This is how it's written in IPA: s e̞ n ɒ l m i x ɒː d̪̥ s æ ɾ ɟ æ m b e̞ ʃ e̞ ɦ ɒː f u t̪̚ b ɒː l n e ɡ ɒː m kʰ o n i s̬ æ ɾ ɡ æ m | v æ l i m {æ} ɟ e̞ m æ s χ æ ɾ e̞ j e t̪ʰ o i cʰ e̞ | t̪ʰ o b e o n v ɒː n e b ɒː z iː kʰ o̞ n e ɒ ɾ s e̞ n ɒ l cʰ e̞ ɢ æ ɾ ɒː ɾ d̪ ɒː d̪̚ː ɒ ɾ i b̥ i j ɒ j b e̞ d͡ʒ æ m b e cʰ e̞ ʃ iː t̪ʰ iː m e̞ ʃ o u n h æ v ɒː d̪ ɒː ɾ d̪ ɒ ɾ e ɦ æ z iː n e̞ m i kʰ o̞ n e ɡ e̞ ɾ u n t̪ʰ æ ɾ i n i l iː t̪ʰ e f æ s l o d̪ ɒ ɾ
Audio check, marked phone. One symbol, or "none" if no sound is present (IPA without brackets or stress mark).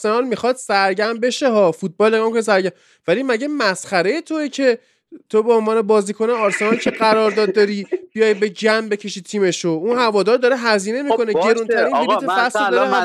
æ